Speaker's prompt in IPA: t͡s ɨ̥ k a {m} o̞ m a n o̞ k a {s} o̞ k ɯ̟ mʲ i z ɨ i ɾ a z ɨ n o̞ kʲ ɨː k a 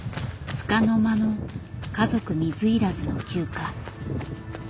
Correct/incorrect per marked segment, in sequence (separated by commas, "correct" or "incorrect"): incorrect, incorrect